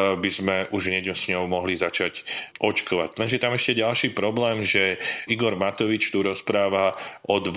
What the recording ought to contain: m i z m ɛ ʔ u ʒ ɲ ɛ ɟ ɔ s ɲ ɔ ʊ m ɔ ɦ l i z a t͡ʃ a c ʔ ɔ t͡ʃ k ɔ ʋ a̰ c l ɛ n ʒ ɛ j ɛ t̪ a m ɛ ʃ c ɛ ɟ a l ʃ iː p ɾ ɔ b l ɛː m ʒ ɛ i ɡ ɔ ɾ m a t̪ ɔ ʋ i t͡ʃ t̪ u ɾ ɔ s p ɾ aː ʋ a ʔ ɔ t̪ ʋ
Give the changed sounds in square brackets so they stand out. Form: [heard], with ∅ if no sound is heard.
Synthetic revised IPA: [b] i z m ɛ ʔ u ʒ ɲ ɛ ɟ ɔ s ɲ ɔ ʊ m ɔ ɦ l i z a t͡ʃ a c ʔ ɔ t͡ʃ k ɔ ʋ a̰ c l ɛ n ʒ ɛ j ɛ t̪ a m ɛ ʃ c ɛ ɟ a l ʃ iː p ɾ ɔ b l ɛː m ʒ ɛ i ɡ ɔ ɾ m a t̪ ɔ ʋ i t͡ʃ t̪ u ɾ ɔ s p ɾ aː ʋ a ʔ ɔ [d̪] ʋ